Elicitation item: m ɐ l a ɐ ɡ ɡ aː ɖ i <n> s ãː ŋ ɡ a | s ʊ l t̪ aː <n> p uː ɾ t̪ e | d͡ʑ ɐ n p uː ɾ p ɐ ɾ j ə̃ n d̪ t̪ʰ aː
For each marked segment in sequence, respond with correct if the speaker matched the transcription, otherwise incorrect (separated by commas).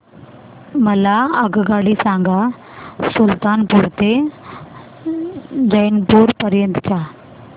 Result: incorrect, correct